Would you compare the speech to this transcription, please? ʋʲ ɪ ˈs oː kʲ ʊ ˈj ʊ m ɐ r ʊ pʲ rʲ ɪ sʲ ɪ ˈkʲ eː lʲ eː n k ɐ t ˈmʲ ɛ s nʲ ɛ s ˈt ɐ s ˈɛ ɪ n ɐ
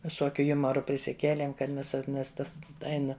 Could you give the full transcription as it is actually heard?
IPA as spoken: ʋʲ ɪ ˈs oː kʲ ʊ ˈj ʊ m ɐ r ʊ pʲ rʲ ɪ sʲ ɪ ˈkʲ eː lʲ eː m k ɐ t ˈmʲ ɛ s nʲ ɛ s ˈt ɐ s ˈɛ ɪ n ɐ